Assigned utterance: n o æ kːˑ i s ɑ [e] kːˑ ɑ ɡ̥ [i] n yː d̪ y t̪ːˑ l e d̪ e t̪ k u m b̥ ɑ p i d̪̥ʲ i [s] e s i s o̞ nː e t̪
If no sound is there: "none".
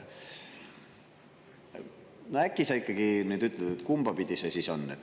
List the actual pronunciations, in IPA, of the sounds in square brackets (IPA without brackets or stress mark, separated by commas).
i, i, s